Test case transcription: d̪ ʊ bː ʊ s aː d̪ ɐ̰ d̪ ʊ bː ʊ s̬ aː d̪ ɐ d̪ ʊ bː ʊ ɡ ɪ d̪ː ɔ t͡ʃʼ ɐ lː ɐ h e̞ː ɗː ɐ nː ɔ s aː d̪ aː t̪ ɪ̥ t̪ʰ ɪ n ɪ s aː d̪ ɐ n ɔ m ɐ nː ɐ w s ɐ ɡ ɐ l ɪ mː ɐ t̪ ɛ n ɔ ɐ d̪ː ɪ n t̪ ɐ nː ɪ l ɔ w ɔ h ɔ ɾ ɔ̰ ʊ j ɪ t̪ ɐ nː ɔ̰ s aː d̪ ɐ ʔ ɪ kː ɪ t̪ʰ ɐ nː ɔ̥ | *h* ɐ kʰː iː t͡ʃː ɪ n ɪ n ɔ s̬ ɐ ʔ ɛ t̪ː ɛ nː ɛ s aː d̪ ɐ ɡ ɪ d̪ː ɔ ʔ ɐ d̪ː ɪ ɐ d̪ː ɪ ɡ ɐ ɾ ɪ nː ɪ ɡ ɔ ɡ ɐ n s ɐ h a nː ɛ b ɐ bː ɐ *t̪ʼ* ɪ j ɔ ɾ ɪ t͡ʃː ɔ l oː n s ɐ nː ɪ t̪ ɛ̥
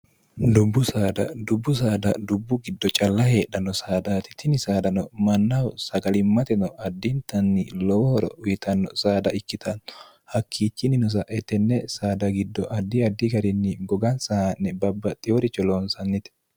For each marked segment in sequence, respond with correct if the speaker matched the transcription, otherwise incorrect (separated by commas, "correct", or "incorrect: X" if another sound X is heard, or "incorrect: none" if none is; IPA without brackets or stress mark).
correct, correct